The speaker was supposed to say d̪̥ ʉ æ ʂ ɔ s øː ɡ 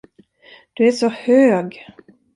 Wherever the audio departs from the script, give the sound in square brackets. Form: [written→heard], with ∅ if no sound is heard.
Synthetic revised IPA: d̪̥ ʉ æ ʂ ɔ [s→h] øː ɡ